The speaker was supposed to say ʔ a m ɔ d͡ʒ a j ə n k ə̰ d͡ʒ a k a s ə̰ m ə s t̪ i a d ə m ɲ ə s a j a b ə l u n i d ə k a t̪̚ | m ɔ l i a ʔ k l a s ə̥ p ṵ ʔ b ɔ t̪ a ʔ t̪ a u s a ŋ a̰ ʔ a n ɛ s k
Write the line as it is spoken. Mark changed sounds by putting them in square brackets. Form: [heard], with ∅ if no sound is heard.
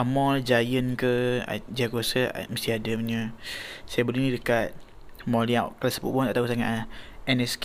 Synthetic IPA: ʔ a m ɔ d͡ʒ a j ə n k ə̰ d͡ʒ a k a s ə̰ m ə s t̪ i a d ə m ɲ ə s a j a b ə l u n i d ə k a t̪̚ | m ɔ l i a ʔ k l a s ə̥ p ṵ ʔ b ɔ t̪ a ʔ t̪ a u s a ŋ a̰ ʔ [ɛ] n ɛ s k